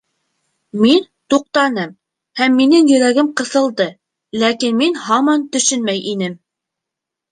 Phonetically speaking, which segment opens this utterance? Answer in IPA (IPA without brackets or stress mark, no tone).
m